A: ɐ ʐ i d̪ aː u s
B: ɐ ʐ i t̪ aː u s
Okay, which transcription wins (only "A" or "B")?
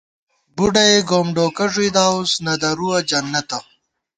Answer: A